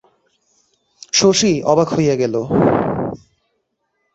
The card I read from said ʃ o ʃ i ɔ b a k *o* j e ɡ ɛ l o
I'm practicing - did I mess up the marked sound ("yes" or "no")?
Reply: no